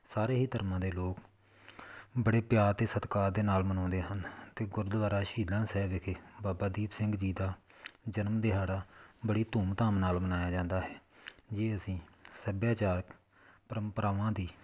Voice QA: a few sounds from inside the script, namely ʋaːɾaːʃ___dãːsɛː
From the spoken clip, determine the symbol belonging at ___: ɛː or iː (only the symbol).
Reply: iː